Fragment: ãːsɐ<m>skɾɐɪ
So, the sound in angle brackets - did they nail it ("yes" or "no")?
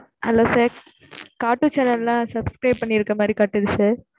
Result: no